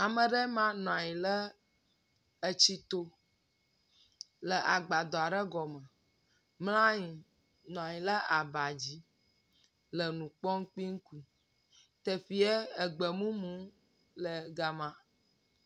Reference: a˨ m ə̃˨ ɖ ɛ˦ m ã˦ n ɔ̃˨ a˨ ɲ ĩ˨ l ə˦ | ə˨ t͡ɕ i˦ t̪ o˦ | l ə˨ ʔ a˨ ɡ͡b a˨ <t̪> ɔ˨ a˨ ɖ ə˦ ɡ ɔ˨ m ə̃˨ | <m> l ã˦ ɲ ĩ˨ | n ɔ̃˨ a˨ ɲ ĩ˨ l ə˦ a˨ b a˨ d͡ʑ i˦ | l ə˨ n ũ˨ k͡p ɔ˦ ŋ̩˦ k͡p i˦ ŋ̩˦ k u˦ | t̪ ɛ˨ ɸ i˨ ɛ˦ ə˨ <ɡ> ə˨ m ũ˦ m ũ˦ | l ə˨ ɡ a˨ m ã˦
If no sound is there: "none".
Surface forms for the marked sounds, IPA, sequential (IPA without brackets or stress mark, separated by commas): d̪, m, ɡ͡b